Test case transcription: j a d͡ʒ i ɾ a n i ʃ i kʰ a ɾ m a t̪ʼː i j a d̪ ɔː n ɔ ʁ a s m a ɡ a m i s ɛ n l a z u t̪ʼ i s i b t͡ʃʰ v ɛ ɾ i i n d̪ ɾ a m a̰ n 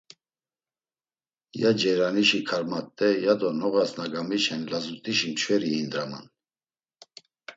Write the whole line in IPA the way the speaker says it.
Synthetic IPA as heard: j a d͡ʒ ɛ ɾ a n i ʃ i kʰ a ɾ m a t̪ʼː ɛ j a d̪ ɔ n ɔ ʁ a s n a ɡ a m i ʃ ɛ n l a z u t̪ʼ i ʃ i m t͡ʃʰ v ɛ ɾ i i n d̪ ɾ a m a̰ n